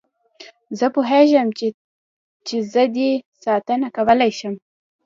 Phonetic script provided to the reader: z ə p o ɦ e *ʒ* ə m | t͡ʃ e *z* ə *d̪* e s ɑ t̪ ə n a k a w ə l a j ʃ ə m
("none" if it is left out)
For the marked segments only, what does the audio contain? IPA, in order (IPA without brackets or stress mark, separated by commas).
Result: ʒ, z, d̪